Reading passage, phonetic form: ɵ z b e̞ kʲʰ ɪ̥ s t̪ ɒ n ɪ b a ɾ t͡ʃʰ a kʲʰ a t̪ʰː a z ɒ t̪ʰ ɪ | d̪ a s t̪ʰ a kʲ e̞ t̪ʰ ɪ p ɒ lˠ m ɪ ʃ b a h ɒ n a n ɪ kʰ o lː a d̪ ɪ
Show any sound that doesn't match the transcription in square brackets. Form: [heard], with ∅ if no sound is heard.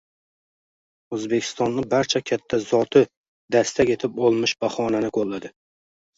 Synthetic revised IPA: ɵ z b e̞ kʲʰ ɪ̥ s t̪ ɒ [nː] ɪ b a ɾ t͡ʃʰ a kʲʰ a t̪ʰː a z ɒ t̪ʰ ɪ | d̪ a s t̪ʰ a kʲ e̞ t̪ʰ ɪ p ɒ lˠ m ɪ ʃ b a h ɒ n a n ɪ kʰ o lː a d̪ ɪ